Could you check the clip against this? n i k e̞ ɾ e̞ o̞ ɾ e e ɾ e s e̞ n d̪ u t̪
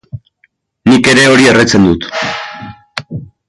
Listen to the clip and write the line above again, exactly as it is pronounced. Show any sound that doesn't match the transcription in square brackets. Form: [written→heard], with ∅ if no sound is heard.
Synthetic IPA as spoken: n i k e̞ ɾ e̞ o̞ ɾ [e→i] e [ɾ→r] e [s→t͡s] e̞ n d̪ u t̪